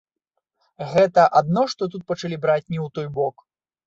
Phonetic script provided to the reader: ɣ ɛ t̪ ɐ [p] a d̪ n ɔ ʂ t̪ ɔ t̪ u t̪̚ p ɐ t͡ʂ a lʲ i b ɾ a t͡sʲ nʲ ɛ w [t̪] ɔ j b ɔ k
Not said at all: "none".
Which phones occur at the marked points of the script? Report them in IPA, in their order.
ʔ, t̪

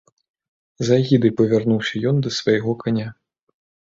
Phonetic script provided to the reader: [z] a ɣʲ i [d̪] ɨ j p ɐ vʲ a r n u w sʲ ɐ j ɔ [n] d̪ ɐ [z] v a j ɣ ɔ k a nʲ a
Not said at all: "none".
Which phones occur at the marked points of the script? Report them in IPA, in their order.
z, d̪, n, s

